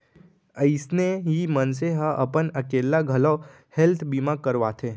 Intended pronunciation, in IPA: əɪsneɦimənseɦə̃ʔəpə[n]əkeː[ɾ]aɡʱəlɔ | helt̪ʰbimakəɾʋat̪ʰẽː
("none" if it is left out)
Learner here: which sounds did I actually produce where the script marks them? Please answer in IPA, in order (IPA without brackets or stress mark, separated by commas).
n, l